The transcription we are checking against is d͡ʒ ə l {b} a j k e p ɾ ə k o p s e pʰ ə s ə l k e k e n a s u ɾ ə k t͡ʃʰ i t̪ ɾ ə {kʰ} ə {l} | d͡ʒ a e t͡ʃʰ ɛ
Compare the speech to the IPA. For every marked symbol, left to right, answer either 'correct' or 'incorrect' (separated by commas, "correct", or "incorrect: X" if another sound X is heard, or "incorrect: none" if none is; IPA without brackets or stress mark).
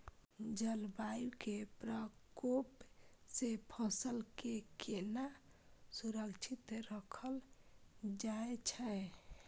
correct, correct, correct